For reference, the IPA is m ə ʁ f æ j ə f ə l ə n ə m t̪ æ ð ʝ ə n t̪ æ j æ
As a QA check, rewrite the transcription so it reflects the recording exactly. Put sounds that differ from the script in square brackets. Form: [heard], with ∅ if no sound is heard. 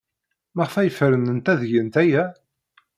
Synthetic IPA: m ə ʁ f æ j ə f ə [ɾ] ə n ə [n] t̪ æ ð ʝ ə n t̪ æ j æ

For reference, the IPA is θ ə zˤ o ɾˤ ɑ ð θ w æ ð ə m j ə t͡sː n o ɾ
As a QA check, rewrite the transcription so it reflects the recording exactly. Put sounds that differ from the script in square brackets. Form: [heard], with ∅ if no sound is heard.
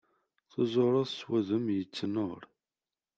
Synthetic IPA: θ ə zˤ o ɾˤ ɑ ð [s] w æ ð ə m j ə t͡sː n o ɾ

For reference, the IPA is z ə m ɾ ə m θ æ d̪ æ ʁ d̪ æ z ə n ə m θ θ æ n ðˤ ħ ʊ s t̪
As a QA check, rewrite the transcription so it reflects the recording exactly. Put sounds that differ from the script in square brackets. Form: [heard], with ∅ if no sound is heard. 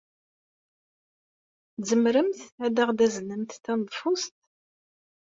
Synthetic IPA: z ə m ɾ ə m θ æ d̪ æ ʁ d̪ æ z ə n ə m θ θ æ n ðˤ [f] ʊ s t̪

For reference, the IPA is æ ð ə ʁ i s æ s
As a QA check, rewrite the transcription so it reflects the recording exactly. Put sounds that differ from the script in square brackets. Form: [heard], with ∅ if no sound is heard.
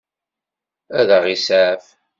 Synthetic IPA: æ ð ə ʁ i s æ [f]

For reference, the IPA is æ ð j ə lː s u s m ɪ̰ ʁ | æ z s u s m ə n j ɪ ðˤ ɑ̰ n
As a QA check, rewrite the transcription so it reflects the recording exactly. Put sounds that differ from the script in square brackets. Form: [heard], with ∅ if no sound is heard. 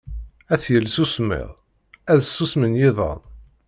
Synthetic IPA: æ [θ] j ə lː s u s m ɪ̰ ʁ | æ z s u s m ə n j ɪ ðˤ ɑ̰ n

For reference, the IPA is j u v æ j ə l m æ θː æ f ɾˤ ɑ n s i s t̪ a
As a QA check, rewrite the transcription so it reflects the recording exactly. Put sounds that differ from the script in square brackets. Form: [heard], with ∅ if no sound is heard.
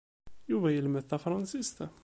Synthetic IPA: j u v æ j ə l m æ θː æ f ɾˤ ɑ n s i s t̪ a

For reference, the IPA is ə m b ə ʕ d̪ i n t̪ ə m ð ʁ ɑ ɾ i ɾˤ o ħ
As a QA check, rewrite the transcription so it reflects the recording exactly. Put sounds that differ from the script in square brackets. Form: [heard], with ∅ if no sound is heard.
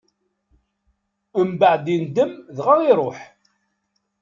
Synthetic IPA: ə m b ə ʕ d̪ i n [d̪] ə m ð ʁ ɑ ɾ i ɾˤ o ħ

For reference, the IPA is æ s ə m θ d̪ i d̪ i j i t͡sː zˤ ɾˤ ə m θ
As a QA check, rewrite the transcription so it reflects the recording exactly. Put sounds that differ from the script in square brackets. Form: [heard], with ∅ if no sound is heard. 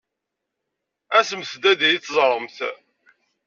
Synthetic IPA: æ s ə m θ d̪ [æ] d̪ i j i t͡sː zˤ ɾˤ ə m θ

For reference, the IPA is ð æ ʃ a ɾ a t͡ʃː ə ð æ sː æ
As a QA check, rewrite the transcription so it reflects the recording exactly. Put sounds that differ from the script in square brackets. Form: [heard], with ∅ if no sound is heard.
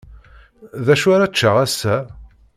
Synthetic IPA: ð æ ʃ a ɾ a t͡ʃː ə [ʁ] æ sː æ

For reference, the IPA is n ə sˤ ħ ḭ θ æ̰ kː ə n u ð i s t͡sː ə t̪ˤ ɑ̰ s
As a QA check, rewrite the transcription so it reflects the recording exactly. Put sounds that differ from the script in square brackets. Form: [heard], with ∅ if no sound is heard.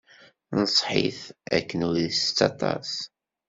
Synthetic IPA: n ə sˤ ħ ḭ θ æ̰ kː ə n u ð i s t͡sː [ɑ] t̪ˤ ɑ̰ s

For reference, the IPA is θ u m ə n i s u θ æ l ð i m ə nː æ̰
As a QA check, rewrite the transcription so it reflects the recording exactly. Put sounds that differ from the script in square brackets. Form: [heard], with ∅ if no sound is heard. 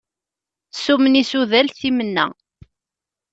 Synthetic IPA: [s] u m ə n i s u [ð] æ l [θ] i m ə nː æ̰

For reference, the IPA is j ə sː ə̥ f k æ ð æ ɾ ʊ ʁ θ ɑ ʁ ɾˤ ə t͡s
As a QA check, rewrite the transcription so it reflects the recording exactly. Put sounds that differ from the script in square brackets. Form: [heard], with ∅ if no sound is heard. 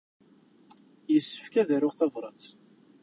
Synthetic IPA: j ə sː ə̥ f k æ ð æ ɾ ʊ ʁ θ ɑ [v] ɾˤ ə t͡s

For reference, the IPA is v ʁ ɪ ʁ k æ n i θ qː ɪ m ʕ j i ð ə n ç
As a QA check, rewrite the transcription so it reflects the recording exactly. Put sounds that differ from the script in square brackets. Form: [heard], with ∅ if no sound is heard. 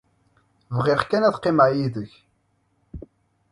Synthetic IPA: v ʁ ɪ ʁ k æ n [æ] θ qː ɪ m ʕ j i ð ə [∅] ç

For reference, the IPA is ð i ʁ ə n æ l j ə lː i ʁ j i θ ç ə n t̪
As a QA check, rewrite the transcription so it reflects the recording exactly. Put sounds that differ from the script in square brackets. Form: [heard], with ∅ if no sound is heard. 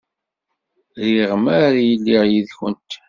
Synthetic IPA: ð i ʁ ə [m] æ [ɾ] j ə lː i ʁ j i [ð] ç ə n t̪

